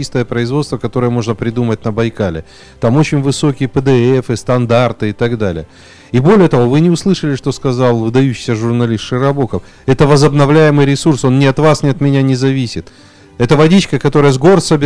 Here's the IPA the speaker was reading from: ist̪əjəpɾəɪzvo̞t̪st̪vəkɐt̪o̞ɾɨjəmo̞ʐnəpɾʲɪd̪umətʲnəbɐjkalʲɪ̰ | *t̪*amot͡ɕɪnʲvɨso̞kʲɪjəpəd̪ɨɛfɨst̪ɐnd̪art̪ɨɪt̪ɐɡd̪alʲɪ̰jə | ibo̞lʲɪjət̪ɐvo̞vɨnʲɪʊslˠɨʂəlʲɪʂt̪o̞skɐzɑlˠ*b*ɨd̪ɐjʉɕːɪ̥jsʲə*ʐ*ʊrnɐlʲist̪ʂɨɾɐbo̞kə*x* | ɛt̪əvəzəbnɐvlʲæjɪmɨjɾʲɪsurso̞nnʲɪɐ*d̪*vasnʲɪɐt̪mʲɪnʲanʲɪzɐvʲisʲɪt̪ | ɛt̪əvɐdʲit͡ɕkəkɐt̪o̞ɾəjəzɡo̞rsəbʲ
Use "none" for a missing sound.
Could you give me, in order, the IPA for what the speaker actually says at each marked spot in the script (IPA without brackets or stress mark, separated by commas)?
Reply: t̪, v, ʐ, f, t̪